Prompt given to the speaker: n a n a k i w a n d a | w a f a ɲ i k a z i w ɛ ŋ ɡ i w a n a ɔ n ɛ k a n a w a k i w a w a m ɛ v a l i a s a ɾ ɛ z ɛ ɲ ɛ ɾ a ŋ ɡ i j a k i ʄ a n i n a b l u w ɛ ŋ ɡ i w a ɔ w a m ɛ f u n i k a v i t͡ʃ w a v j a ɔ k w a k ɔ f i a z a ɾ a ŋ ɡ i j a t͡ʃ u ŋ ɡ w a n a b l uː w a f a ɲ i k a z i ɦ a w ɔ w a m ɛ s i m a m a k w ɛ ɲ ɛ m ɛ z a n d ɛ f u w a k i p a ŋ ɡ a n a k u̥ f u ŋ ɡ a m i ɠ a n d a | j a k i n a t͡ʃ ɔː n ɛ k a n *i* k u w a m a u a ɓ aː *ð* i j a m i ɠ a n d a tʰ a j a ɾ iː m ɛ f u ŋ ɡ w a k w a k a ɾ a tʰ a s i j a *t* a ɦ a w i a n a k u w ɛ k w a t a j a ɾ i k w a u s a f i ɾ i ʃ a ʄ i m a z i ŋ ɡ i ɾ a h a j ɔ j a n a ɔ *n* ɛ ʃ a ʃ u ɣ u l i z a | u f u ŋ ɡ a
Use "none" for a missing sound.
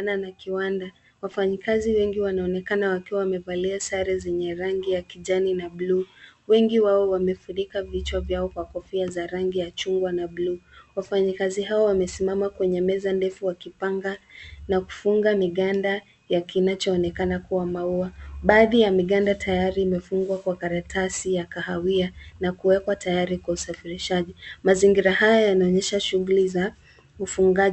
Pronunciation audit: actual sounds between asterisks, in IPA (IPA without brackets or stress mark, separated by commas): a, ð, k, ɲ